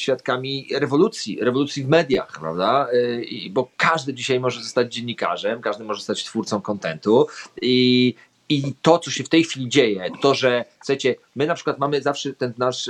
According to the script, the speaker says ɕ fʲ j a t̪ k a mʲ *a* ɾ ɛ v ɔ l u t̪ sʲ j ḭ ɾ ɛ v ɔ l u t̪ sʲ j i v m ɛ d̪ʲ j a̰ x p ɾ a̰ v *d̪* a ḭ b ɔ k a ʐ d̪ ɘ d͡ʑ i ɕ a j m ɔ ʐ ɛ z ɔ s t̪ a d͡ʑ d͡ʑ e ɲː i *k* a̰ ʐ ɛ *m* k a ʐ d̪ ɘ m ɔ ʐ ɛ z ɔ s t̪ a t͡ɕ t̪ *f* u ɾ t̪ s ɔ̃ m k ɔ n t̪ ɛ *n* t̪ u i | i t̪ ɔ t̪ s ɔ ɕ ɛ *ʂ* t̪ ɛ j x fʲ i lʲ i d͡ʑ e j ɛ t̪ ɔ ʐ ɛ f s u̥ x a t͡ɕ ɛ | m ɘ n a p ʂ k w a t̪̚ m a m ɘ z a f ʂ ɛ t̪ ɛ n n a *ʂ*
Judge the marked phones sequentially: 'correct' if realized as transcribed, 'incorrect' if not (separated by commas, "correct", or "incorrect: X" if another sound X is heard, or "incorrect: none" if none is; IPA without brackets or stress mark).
incorrect: i, correct, correct, correct, correct, correct, incorrect: f, correct